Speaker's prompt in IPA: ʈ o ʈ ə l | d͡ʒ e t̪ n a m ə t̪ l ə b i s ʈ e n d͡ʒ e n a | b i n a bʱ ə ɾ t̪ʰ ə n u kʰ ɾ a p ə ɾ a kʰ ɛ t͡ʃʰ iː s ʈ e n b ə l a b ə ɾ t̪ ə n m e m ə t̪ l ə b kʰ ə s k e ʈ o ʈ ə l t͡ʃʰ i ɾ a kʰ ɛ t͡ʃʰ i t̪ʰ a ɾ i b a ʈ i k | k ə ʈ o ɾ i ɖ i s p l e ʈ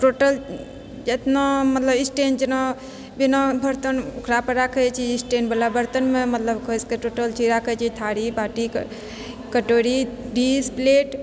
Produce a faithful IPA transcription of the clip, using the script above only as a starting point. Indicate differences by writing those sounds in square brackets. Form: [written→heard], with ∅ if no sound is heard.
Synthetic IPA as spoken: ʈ o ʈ ə l | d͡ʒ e t̪ n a m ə t̪ l ə b i s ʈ e n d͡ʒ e n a | b i n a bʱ ə ɾ [t̪ʰ→t̪] ə n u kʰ ɾ a p ə ɾ a kʰ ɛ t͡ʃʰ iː s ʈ e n b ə l a b ə ɾ t̪ ə n m e m ə t̪ l ə b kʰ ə s k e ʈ o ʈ ə l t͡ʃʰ i ɾ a kʰ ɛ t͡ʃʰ i t̪ʰ a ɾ i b a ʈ i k | k ə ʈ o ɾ i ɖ i s p l e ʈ

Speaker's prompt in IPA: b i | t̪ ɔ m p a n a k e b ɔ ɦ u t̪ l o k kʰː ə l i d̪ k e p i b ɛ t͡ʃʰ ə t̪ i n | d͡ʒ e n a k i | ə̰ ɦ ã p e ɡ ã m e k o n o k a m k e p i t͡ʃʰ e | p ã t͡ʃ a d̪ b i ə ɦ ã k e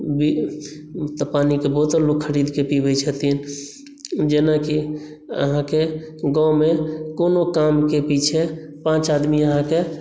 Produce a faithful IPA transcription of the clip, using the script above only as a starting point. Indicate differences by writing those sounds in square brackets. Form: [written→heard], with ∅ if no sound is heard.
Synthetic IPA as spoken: b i | t̪ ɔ [m→∅] p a n [a→i] k e b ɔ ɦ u t̪ l o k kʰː ə [l→ɾ] i d̪ k e p i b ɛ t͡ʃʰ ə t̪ i n | d͡ʒ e n a k i | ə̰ ɦ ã [p→k] e ɡ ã m e k o n o k a m k e p i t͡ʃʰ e | p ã t͡ʃ a d̪ [b→m] i ə ɦ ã k e

